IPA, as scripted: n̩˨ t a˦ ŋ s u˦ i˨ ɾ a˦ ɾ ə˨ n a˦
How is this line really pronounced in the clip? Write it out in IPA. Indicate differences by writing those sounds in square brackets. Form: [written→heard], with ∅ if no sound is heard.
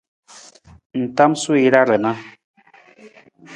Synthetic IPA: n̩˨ t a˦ [ŋ→m] s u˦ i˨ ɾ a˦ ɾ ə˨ n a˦